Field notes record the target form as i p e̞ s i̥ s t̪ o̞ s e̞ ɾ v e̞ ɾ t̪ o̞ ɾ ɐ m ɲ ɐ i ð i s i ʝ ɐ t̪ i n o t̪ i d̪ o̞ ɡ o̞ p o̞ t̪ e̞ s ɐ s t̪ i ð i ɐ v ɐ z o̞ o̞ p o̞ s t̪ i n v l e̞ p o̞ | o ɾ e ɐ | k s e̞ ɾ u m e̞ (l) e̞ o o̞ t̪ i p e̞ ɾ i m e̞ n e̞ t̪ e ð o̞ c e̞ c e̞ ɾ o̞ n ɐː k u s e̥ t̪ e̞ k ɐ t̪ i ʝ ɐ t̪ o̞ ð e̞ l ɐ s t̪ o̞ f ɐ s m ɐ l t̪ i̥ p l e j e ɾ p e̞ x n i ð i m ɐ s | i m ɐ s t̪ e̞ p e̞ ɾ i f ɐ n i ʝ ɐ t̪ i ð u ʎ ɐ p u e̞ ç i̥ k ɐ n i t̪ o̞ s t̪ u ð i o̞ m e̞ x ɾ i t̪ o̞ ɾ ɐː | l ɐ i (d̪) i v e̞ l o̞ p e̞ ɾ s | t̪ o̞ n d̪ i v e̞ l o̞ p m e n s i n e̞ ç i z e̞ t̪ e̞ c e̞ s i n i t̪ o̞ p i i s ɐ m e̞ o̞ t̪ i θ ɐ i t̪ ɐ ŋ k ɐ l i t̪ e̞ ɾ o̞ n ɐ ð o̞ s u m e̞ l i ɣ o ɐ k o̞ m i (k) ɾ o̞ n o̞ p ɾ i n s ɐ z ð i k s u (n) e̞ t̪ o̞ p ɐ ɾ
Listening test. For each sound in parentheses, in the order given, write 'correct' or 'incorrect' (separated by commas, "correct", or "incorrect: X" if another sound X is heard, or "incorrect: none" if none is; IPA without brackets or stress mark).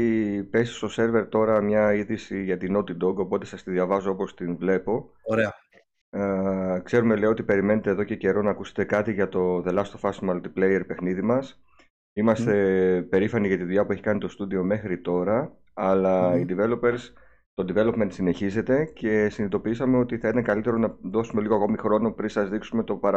correct, correct, incorrect: x, incorrect: m